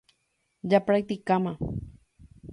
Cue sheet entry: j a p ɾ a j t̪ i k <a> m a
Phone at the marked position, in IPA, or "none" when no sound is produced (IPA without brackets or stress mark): a